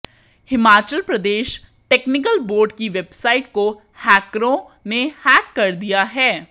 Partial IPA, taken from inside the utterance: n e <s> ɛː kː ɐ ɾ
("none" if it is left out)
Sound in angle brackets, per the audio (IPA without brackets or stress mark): h